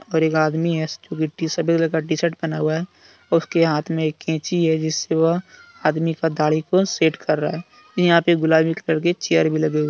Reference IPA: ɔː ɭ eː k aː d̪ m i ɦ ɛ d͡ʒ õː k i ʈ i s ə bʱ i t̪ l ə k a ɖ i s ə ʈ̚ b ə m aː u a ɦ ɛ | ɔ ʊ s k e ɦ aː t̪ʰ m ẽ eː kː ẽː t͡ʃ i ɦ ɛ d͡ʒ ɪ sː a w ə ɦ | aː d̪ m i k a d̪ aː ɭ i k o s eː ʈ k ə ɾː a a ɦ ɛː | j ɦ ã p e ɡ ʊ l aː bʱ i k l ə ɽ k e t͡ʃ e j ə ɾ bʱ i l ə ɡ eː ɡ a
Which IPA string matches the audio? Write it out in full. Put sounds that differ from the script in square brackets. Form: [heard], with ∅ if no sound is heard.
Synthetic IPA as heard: ɔː [ɾ] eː k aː d̪ m i ɦ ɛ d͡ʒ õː k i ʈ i s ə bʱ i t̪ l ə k a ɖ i s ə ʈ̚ b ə [n] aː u a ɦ ɛ | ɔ ʊ s k e ɦ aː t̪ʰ m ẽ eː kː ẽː t͡ʃ i ɦ ɛ d͡ʒ ɪ sː [e] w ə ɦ | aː d̪ m i k a d̪ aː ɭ i k o s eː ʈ k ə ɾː a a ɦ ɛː | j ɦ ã p e ɡ ʊ l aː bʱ i k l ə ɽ k e t͡ʃ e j ə ɾ bʱ i l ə ɡ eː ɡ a

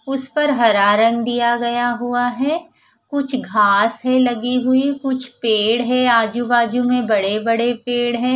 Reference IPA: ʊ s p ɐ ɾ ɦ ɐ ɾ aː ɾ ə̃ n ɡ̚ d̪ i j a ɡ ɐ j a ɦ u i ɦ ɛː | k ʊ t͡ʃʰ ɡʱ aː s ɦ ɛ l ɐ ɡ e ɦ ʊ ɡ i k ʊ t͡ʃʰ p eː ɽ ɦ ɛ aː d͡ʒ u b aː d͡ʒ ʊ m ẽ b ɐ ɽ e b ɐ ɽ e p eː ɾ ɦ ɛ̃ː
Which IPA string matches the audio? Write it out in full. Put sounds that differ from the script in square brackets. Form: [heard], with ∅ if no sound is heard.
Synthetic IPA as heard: ʊ s p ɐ ɾ ɦ ɐ ɾ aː ɾ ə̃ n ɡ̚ d̪ i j a ɡ ɐ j a ɦ u [a] ɦ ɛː | k ʊ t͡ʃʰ ɡʱ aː s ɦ ɛ l ɐ ɡ [i] ɦ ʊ [∅] i k ʊ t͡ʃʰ p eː ɽ ɦ ɛ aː d͡ʒ u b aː d͡ʒ [u] m ẽ b ɐ ɽ e b ɐ ɽ e p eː [ɽ] ɦ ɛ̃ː

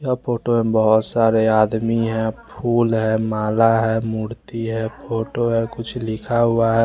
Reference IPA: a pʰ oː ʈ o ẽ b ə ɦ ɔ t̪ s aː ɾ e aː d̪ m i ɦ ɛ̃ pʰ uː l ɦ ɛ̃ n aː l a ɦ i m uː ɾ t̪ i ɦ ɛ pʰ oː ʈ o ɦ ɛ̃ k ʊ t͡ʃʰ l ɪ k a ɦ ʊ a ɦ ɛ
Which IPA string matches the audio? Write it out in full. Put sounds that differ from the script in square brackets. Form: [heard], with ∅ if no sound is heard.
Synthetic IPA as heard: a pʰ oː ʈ o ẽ b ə ɦ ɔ t̪ s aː ɾ e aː d̪ m i ɦ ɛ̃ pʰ uː l ɦ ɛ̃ [m] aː l a ɦ [ɛ] m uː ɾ t̪ i ɦ ɛ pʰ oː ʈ o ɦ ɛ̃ k ʊ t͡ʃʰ l ɪ [kʰ] a ɦ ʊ a ɦ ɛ

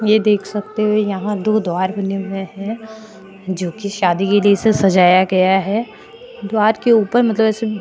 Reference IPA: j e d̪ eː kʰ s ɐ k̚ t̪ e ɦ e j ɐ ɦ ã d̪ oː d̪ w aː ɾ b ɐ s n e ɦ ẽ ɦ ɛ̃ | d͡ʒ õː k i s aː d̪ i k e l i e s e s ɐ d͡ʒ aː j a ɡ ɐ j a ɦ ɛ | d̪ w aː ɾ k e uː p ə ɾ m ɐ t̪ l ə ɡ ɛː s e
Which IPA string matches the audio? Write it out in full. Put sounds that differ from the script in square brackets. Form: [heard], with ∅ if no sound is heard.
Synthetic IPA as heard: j e d̪ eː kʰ s ɐ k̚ t̪ e ɦ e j ɐ ɦ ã d̪ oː d̪ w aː ɾ b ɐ [∅] n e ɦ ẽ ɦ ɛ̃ | d͡ʒ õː k i [ʃ] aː d̪ i k e l i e s e s ɐ d͡ʒ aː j a ɡ ɐ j a ɦ ɛ | d̪ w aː ɾ k e uː p ə ɾ m ɐ t̪ l ə [b] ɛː s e

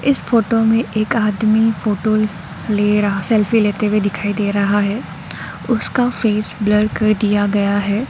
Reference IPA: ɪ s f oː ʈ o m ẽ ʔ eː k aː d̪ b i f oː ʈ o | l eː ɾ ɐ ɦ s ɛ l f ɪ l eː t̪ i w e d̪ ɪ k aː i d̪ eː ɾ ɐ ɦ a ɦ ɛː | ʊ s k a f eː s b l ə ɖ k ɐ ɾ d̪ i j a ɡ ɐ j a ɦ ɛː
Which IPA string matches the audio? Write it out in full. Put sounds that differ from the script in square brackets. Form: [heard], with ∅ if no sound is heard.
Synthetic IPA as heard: ɪ s f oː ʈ o m ẽ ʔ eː k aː d̪ [m] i f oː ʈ o | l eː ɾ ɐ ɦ s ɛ l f [i] l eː t̪ [e] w e d̪ ɪ [kʰ] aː i d̪ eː ɾ ɐ ɦ a ɦ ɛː | ʊ s k a f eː s b l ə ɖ k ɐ ɾ d̪ i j a ɡ ɐ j a ɦ ɛː

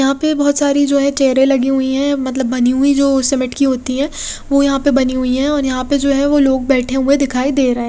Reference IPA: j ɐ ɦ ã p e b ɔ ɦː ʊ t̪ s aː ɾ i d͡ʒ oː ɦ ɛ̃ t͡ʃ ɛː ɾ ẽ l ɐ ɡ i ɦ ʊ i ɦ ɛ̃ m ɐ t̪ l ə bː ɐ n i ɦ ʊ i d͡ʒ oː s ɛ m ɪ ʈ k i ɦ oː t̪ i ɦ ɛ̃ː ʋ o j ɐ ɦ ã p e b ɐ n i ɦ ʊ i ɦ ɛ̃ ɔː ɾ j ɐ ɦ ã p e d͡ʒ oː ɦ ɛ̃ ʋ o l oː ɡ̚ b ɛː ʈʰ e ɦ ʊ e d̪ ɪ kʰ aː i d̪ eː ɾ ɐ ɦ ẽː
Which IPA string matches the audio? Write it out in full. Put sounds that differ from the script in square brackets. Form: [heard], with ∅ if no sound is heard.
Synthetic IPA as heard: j ɐ ɦ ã p e b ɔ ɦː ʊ t̪ s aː ɾ i d͡ʒ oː ɦ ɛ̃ t͡ʃ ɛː ɾ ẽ l ɐ ɡ i ɦ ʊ i ɦ ɛ̃ m ɐ t̪ l ə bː ɐ n i ɦ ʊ i d͡ʒ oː s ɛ m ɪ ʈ k i ɦ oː t̪ i ɦ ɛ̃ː ʋ o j ɐ ɦ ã p e b ɐ n i ɦ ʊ i ɦ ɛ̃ ɔː ɾ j ɐ ɦ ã p e d͡ʒ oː ɦ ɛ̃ ʋ o l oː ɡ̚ b ɛː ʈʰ e ɦ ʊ e d̪ ɪ kʰ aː i d̪ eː ɾ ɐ ɦ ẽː

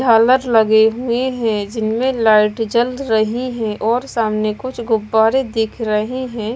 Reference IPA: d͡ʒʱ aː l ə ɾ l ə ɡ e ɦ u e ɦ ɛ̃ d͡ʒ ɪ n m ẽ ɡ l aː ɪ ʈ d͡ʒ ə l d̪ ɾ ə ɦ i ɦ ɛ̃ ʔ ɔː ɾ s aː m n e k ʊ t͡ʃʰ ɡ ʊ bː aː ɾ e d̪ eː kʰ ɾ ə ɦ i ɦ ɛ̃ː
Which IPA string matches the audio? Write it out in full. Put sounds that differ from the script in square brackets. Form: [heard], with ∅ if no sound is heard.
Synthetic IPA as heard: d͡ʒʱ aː l ə ɾ l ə ɡ e ɦ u e ɦ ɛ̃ d͡ʒ ɪ n m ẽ [∅] l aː ɪ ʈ d͡ʒ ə l d̪ ɾ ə ɦ i ɦ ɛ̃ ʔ ɔː ɾ s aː m n e k ʊ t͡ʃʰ ɡ ʊ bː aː ɾ e d̪ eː kʰ ɾ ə ɦ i ɦ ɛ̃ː

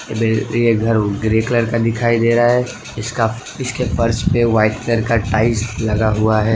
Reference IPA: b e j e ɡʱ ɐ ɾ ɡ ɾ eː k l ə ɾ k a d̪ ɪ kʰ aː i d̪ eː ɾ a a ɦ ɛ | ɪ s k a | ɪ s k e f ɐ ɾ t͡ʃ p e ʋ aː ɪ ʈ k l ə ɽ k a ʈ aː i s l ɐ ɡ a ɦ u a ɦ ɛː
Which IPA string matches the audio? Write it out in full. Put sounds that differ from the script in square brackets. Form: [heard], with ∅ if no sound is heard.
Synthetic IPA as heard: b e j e ɡʱ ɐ ɾ ɡ ɾ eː k l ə ɾ k a d̪ ɪ kʰ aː i d̪ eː ɾ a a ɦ ɛ | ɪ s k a | ɪ s k e f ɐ ɾ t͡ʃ p e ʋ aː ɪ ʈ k l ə [ɾ] k a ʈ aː [ɪ] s l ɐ ɡ a ɦ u a ɦ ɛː

